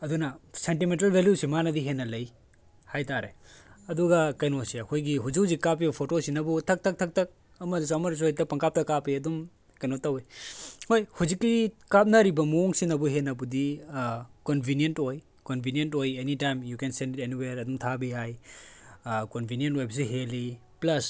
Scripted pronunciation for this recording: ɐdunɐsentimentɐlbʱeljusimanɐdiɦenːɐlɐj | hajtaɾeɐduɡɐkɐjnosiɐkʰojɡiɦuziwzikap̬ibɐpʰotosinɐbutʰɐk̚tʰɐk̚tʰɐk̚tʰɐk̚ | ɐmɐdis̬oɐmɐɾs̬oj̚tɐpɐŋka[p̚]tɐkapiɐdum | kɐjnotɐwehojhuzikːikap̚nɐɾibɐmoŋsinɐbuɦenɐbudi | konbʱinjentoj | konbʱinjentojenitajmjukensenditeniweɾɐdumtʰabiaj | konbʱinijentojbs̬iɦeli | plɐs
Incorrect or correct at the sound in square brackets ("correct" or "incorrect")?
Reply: correct